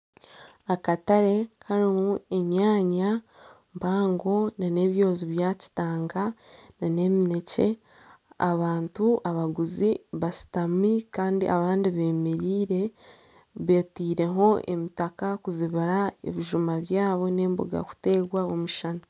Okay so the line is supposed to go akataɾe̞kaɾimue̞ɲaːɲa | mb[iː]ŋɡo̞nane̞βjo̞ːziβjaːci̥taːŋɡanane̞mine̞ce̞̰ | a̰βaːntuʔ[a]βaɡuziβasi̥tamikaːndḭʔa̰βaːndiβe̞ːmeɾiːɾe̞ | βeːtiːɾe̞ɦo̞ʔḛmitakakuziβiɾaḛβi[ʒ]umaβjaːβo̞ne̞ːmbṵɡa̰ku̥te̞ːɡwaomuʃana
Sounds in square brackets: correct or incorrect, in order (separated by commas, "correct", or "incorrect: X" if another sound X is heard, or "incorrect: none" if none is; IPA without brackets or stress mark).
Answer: incorrect: aː, correct, correct